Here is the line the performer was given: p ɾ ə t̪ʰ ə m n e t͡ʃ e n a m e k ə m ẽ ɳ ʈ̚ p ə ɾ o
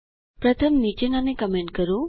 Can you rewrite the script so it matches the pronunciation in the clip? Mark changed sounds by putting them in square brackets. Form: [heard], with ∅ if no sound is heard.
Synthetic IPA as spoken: p ɾ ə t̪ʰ ə m n [i] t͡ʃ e n a [n] e k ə m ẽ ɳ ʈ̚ [k] ə ɾ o